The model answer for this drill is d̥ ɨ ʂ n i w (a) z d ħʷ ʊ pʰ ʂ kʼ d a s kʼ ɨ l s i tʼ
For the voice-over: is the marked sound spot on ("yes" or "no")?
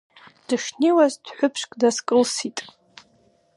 yes